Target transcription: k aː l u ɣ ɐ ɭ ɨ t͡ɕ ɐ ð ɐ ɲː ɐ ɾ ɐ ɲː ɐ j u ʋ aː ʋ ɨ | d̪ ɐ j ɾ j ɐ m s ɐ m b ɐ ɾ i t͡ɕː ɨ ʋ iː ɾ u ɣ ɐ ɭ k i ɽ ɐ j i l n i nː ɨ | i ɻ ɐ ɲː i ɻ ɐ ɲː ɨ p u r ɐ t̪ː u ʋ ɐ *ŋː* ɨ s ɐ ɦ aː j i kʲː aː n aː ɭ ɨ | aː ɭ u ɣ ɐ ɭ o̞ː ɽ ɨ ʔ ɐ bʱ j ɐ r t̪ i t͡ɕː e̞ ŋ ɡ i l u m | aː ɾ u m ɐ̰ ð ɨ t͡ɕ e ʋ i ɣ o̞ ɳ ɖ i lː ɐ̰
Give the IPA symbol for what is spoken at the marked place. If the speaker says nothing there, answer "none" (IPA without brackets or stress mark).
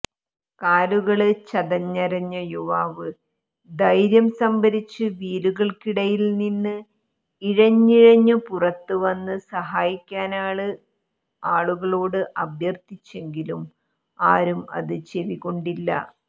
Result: nː